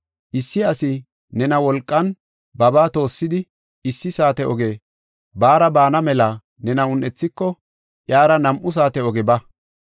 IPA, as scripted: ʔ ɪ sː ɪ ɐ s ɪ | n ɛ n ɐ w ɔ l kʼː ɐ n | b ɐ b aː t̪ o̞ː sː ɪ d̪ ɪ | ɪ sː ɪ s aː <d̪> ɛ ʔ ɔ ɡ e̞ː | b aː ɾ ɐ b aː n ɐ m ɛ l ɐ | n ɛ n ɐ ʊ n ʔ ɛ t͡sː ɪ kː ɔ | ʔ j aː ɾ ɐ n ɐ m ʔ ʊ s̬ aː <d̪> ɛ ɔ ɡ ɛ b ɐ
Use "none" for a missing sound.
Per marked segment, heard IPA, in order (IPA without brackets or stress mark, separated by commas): t̪, t̪